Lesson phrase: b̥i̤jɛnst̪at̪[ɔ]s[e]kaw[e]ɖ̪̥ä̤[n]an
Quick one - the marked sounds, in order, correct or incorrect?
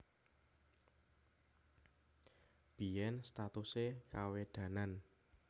incorrect: u, correct, correct, correct

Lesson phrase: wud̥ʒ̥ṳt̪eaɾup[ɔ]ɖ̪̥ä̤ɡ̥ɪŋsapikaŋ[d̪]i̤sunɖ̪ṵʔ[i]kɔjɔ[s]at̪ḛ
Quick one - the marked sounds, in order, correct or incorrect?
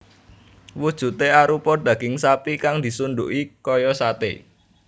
correct, correct, correct, correct

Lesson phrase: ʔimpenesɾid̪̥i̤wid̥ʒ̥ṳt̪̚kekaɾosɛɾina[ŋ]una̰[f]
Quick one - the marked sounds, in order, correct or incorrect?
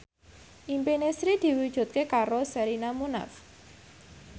incorrect: m, correct

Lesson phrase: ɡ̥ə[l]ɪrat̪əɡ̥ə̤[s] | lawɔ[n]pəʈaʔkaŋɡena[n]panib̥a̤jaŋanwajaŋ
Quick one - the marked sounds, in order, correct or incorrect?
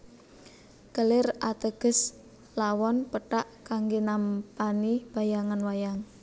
correct, correct, correct, incorrect: m

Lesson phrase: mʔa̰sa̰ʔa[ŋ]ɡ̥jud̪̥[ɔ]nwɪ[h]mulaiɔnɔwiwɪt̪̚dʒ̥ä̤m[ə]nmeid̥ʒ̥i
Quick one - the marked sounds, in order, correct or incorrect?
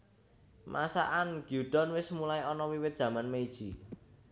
incorrect: n, correct, incorrect: s, incorrect: a

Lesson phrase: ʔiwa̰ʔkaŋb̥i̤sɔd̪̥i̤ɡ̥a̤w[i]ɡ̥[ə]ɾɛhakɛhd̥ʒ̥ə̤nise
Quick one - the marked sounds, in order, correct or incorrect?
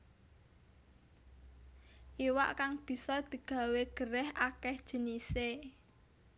incorrect: e, correct

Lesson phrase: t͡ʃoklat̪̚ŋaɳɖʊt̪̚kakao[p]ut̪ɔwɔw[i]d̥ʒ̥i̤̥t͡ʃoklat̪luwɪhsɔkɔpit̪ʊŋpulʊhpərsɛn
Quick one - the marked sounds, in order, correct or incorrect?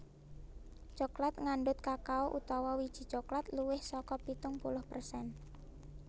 incorrect: ʔ, correct

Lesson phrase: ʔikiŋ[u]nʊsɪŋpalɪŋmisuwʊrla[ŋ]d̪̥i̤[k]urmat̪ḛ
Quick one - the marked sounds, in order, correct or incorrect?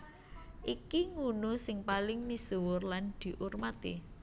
correct, incorrect: n, incorrect: ʔ

